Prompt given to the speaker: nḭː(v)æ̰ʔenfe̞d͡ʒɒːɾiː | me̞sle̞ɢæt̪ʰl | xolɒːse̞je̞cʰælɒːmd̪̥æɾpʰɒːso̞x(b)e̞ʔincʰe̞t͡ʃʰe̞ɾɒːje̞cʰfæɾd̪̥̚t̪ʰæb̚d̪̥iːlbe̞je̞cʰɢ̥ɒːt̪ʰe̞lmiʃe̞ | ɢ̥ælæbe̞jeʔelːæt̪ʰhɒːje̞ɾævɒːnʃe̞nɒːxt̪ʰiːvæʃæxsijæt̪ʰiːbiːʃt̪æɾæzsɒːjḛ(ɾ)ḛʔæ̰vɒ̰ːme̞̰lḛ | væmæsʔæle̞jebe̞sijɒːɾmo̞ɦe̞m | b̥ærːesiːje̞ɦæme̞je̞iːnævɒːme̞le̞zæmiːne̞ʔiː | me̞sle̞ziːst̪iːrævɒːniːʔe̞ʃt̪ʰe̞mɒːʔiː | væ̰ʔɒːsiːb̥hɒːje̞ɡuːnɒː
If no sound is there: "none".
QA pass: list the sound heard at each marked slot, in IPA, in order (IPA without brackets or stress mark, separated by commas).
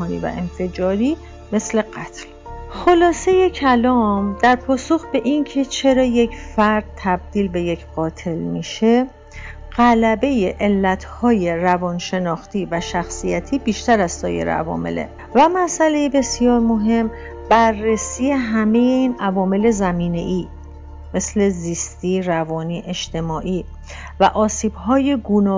v, b, ɾ